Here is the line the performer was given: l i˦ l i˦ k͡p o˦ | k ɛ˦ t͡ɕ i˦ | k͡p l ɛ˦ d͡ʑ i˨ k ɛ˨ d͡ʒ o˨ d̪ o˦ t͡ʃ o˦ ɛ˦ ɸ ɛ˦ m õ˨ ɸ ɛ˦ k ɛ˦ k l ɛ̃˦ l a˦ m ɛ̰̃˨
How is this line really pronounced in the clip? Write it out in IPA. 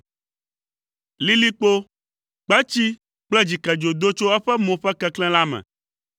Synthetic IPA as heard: l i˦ l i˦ k͡p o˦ | k͡p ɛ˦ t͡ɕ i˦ | k͡p l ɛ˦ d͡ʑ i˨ k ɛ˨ d͡ʒ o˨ d̪ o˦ t͡ʃ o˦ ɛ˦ ɸ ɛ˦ m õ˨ ɸ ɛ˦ k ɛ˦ k l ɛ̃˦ l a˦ m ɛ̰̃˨